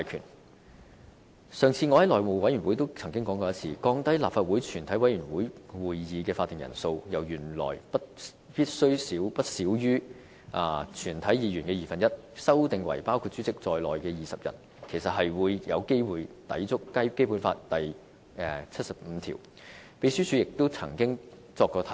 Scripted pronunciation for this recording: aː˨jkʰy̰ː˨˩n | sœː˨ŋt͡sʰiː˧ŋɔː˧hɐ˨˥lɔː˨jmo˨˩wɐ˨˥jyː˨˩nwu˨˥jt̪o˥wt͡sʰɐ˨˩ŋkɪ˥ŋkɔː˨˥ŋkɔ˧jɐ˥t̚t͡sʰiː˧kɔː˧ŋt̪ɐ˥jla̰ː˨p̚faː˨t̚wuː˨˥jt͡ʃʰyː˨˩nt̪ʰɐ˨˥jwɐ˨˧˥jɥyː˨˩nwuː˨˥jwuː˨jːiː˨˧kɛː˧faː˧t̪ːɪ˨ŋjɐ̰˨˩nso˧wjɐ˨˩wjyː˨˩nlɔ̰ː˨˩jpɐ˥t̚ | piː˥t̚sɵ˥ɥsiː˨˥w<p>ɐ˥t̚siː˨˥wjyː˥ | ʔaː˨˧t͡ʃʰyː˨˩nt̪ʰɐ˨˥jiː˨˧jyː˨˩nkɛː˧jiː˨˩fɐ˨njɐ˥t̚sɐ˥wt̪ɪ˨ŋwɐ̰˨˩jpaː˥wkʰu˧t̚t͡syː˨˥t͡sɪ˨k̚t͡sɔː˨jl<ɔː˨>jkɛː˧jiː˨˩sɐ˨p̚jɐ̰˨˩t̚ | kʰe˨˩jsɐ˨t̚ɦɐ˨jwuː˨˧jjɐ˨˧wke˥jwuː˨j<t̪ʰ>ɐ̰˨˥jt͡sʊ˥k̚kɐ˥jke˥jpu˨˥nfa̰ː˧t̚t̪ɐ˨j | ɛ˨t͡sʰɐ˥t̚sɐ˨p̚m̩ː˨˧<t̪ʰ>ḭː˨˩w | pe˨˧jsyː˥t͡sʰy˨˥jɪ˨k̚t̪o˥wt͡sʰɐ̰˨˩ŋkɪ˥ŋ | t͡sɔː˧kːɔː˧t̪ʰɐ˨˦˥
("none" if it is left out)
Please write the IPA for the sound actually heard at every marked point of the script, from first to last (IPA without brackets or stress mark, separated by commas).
p, ɔː˨, t̪, t̪ʰ